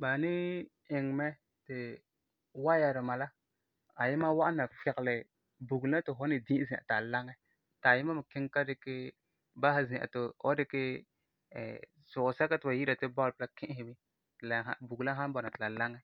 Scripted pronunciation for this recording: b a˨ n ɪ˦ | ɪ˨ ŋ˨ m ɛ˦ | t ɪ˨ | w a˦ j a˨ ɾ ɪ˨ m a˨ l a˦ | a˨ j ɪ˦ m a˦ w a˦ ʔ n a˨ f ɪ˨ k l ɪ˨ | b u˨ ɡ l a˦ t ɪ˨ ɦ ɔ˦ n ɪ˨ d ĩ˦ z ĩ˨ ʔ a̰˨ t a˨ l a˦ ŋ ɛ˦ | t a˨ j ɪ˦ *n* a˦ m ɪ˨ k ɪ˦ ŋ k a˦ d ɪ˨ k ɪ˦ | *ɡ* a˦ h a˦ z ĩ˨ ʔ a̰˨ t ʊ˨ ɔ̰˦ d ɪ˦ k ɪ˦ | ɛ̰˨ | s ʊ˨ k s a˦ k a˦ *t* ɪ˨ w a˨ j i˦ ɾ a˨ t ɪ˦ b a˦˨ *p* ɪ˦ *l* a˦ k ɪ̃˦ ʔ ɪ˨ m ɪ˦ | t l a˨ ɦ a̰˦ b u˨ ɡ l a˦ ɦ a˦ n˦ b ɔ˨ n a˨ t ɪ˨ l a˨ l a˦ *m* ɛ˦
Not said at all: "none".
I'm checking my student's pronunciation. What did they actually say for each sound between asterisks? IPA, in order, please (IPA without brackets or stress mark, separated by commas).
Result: m, b, t, p, l, ŋ